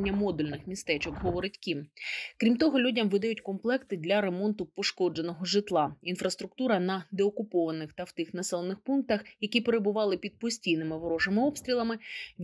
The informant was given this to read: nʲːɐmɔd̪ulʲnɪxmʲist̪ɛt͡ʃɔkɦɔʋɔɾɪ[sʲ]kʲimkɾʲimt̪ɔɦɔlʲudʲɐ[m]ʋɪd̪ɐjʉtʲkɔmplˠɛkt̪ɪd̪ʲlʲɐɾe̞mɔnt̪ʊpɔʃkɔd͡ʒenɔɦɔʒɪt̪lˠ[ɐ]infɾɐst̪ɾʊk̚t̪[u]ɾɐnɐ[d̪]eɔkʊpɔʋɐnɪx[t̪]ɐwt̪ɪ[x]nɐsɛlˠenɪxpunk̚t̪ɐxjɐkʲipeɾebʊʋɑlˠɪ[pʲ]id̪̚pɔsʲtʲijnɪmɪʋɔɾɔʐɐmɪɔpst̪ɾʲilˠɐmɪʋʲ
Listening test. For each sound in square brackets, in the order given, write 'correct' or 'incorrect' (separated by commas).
incorrect, correct, incorrect, correct, correct, correct, correct, correct